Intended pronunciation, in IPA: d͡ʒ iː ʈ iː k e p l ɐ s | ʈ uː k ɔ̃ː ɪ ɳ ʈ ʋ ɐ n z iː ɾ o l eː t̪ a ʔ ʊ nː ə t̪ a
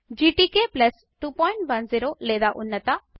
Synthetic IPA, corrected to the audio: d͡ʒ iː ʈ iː k e p l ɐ s | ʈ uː p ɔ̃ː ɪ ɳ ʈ ʋ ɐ n z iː ɾ o l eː d̪ a ʔ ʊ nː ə t̪ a